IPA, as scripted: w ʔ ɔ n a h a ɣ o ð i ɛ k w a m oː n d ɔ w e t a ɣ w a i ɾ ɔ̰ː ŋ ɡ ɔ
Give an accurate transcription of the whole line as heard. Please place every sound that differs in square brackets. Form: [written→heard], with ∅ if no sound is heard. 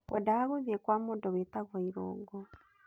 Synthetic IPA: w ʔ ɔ [n→d] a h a ɣ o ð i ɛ k w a m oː n d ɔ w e t a ɣ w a i ɾ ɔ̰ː ŋ ɡ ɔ